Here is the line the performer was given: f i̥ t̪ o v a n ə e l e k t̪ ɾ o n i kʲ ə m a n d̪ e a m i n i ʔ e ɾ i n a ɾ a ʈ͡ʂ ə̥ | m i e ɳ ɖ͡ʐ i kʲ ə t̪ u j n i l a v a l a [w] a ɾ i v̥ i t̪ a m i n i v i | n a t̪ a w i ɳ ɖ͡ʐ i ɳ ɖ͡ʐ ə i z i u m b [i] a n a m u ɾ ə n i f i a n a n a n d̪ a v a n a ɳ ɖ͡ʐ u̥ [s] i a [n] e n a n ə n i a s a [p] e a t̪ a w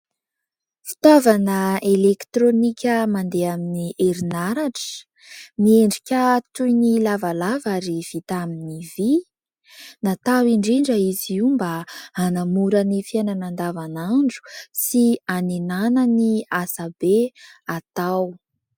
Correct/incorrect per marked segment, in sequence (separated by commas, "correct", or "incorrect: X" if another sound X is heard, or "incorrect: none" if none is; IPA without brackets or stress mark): incorrect: v, incorrect: a, correct, correct, incorrect: b